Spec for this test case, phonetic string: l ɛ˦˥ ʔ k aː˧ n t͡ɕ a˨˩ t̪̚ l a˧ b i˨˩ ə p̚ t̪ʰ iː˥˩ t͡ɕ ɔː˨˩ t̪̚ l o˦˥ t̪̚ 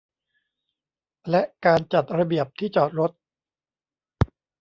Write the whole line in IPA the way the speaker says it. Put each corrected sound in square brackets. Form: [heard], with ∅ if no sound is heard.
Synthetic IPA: l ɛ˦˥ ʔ k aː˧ n t͡ɕ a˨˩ t̪̚ [ɾ] a˧ b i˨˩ ə p̚ t̪ʰ iː˥˩ t͡ɕ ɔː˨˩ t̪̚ [ɾ] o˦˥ t̪̚